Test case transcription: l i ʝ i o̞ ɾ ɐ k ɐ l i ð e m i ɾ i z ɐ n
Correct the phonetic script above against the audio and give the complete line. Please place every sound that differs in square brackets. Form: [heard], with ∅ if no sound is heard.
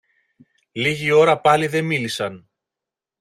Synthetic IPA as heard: l i ʝ i o̞ ɾ ɐ [p] ɐ l i ð e m i [l] i [s] ɐ n